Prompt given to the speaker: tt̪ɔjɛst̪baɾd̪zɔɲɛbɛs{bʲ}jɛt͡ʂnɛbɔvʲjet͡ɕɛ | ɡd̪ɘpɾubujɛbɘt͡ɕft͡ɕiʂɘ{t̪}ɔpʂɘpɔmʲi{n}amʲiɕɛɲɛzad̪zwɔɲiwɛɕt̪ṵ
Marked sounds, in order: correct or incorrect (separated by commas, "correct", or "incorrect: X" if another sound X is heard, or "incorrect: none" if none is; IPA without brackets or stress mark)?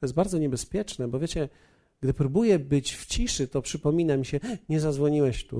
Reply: incorrect: pʲ, correct, correct